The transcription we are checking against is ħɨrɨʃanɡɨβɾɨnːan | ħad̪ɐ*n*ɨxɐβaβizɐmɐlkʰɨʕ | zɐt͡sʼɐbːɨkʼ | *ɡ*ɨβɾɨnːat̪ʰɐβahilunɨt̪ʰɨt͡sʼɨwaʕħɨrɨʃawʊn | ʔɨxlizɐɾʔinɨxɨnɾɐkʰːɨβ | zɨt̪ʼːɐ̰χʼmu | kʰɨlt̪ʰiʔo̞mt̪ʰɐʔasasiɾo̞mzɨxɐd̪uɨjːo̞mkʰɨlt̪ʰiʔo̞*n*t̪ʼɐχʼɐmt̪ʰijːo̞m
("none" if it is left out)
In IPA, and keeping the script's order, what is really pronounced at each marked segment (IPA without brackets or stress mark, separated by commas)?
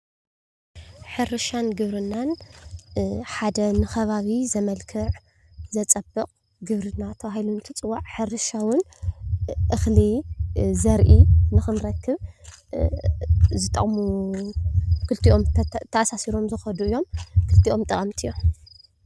n, ɡ, m